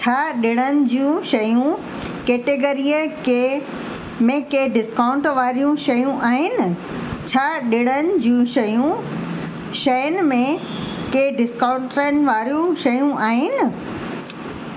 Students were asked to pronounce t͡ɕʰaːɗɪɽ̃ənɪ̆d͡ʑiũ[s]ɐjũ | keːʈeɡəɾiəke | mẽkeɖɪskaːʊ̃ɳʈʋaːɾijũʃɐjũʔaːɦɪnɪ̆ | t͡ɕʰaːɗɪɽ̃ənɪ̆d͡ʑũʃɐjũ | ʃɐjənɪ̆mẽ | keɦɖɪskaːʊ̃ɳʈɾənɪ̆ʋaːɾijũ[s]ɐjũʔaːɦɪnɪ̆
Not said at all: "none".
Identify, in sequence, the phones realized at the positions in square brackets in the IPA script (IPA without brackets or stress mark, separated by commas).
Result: ʃ, ʃ